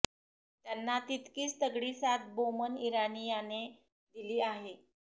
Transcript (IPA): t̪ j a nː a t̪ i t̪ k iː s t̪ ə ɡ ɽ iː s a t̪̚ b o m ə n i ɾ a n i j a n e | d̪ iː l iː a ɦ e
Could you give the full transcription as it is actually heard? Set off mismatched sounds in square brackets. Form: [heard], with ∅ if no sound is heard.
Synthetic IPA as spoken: t̪ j a nː a t̪ i t̪ k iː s t̪ ə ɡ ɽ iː s a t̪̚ b o m ə n i ɾ a n i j a n e | d̪ [i] l iː a ɦ e